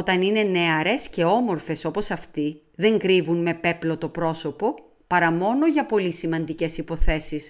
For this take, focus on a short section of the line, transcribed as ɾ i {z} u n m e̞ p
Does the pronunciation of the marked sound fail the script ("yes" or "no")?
yes